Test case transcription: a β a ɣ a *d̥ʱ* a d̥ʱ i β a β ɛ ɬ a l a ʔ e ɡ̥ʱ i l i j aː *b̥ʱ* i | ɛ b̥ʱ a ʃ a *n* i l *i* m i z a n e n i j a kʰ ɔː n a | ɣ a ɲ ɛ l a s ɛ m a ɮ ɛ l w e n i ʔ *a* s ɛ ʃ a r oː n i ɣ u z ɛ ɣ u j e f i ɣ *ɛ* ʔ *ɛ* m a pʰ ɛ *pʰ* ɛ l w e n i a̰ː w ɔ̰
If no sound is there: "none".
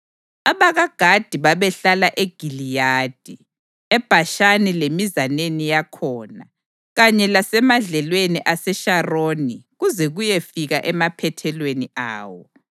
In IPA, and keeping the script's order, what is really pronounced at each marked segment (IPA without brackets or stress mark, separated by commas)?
ɡ̥ʱ, d̥ʱ, n, e, a, a, ɛ, tʰ